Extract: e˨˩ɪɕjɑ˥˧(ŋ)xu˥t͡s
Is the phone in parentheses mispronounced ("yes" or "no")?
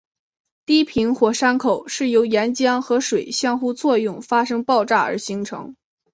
no